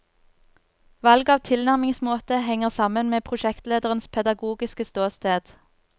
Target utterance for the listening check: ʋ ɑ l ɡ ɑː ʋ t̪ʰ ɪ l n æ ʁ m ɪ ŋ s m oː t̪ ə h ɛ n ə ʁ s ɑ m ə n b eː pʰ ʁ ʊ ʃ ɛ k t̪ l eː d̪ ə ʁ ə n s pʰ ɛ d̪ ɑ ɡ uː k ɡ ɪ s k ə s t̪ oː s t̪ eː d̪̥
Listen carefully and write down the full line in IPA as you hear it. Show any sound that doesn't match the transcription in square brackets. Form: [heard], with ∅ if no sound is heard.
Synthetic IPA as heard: ʋ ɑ l ɡ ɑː ʋ t̪ʰ ɪ l n æ ʁ m ɪ ŋ s m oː t̪ ə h ɛ [ŋ] ə ʁ s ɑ m ə n [m] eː pʰ ʁ ʊ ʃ ɛ k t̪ l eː d̪ ə ʁ ə n s pʰ ɛ d̪ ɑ ɡ uː [∅] ɡ ɪ s k ə s t̪ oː s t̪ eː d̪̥